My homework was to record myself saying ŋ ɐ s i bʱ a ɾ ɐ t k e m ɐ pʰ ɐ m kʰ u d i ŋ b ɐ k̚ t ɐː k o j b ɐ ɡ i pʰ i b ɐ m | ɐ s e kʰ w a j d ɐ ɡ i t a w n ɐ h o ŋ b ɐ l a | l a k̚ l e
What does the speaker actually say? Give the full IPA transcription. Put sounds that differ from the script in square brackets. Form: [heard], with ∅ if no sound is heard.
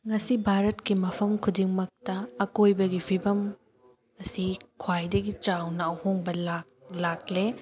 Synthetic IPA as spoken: ŋ ɐ s i bʱ a ɾ ɐ t k [i] m ɐ pʰ ɐ m kʰ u d i ŋ [m] ɐ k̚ t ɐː k o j b ɐ ɡ i pʰ i b ɐ m | ɐ s [i] kʰ w a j d ɐ ɡ i [t͡ʃ] a w n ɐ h o ŋ b ɐ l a | l a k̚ l e

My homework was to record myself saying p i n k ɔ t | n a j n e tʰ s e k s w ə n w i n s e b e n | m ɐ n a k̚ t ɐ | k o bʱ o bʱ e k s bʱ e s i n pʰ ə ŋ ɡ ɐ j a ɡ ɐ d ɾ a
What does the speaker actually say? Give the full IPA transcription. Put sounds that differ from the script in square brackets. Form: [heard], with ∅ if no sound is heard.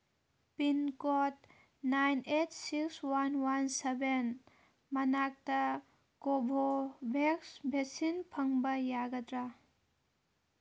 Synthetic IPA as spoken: p i n k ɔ t | n a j n e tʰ s [i] k s w [a] n w [a] n s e b e n | m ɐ n a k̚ t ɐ | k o bʱ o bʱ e k s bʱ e s i n pʰ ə ŋ [b] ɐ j a ɡ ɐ d ɾ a

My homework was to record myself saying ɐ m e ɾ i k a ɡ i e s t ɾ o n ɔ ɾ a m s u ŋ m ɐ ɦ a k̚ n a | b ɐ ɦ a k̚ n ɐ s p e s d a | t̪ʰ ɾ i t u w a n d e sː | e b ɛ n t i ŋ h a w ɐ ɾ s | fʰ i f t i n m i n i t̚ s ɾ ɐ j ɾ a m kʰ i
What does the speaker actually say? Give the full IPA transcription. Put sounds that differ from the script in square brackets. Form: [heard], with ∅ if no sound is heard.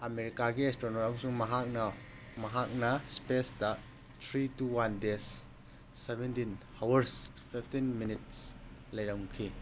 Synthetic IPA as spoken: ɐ m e ɾ i k a ɡ i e s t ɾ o n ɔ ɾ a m s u ŋ m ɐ ɦ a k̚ n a | [m] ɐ ɦ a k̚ n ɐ s p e s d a | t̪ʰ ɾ i t u w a n d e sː | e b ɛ n t i [n] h a w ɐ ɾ s | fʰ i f t i n m i n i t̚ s [l] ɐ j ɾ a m kʰ i

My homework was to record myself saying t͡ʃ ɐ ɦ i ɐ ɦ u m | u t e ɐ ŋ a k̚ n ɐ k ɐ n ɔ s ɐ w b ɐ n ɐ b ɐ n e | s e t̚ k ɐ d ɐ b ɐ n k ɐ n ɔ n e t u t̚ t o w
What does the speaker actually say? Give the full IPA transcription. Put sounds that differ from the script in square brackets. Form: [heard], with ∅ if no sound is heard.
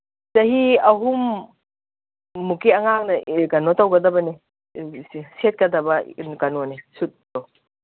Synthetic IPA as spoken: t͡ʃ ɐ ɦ i ɐ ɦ u m | u [k] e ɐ ŋ a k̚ n ɐ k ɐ n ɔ [t] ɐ w [ɡ] ɐ [d] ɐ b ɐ n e | s e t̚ k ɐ d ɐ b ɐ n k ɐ n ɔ n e [s] u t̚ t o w

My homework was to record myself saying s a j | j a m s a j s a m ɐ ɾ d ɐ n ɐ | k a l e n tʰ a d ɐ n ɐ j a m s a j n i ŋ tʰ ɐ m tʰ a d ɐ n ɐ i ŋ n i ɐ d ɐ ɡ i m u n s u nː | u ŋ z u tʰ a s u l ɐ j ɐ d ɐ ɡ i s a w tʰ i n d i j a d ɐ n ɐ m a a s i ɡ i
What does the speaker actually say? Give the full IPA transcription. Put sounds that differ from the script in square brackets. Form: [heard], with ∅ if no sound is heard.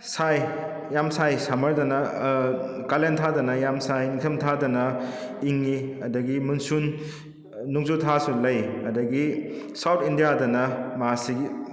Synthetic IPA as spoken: s a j | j a m s a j s a m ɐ ɾ d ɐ n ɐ | k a l e n tʰ a d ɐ n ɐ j a m s a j n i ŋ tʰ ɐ m tʰ a d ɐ n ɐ i ŋ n i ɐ d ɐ ɡ i m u n s u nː | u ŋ z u tʰ a s u l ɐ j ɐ d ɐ ɡ i s a w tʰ i n d i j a d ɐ n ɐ m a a s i ɡ i

